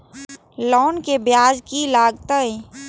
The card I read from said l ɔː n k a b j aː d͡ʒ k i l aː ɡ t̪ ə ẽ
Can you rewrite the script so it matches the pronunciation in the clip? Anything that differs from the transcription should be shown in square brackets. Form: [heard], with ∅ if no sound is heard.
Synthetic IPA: l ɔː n k [e] b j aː d͡ʒ k i l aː ɡ t̪ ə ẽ